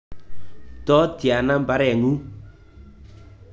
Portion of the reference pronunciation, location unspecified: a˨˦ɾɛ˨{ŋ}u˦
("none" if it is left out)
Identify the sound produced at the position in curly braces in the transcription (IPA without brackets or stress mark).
ŋ